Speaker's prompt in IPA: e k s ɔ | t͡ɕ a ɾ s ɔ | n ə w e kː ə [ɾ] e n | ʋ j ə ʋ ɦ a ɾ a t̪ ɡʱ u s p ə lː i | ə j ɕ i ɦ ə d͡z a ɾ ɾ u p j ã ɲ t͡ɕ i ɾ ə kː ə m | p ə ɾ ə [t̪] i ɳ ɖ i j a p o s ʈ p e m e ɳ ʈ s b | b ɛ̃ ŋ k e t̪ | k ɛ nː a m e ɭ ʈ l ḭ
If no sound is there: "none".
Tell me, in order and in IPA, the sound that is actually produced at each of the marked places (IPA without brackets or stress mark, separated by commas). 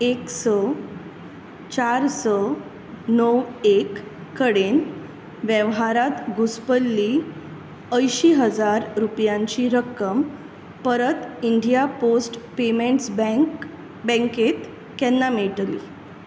ɽ, t̪